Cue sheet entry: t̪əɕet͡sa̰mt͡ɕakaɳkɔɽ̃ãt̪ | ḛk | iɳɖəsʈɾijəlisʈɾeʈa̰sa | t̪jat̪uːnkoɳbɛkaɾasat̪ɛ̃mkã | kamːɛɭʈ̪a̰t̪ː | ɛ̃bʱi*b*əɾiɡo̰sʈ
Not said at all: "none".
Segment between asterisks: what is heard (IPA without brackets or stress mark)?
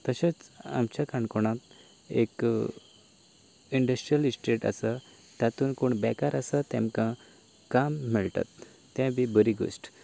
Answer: b